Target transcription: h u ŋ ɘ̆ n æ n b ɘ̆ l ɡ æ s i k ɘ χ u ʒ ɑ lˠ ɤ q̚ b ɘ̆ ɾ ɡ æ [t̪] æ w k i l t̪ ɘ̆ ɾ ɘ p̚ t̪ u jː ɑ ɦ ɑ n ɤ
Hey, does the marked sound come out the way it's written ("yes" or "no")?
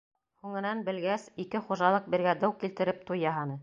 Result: no